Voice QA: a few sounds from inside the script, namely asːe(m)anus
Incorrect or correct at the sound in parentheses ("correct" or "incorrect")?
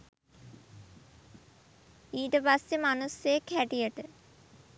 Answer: correct